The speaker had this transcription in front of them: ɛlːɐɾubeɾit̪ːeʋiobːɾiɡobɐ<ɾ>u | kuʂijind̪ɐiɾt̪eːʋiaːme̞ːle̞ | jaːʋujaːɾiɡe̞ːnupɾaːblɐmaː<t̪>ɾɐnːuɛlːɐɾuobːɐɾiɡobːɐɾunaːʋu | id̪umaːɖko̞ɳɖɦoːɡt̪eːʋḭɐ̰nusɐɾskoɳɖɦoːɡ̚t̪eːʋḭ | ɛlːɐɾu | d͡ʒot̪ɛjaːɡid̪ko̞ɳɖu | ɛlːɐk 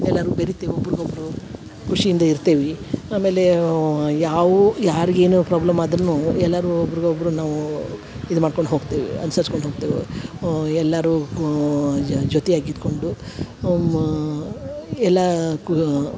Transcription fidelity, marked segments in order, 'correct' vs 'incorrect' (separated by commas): correct, incorrect